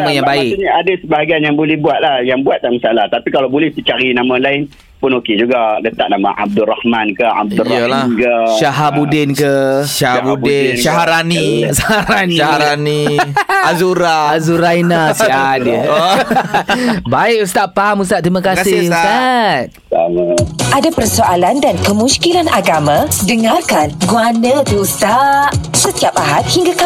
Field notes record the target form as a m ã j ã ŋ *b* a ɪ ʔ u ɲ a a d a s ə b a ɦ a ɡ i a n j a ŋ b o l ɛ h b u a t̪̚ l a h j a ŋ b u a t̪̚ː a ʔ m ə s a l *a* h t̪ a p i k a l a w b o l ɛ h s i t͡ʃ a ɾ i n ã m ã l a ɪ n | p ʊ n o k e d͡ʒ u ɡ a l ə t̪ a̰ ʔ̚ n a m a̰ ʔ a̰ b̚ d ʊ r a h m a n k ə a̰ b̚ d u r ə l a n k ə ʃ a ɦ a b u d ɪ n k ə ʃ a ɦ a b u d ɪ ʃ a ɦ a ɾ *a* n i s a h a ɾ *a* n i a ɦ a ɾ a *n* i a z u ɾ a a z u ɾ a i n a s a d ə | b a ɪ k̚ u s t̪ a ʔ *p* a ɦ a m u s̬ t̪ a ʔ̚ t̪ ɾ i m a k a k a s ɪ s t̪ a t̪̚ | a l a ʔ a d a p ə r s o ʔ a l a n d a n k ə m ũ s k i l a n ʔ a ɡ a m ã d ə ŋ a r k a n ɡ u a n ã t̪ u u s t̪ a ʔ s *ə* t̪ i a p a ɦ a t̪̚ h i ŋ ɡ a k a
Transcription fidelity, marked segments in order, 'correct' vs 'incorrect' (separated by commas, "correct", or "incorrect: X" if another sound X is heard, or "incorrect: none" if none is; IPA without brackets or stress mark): correct, correct, correct, correct, correct, correct, correct